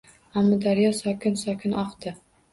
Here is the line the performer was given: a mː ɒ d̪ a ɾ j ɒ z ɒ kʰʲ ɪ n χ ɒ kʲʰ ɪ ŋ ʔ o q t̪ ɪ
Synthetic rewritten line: a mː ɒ d̪ a ɾ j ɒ s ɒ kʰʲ ɪ n s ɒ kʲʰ ɪ n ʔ ɒ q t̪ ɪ